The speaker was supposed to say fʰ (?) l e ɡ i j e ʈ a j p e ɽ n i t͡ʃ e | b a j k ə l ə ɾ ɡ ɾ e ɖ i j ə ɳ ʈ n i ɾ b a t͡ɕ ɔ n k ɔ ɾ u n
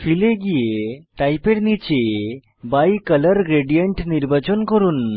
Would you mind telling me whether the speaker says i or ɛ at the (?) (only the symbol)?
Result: i